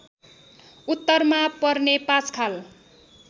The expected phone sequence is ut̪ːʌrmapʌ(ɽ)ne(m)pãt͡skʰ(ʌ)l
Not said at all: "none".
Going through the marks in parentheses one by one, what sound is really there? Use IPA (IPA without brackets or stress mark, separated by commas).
r, none, a